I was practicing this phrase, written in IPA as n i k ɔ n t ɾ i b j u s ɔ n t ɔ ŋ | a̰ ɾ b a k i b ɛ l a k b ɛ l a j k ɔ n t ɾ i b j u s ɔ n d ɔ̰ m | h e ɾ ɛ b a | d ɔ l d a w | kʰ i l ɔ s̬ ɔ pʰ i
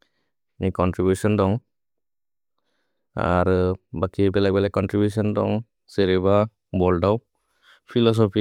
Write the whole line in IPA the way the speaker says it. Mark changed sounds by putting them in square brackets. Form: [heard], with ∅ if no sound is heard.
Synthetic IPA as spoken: n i k ɔ n t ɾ i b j u s ɔ n [d] ɔ ŋ | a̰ ɾ b a k i b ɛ l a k b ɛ l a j k ɔ n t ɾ i b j u s ɔ n d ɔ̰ [ŋ] | [s] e ɾ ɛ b a | [b] ɔ l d a w | [pʰ] i l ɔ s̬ ɔ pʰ i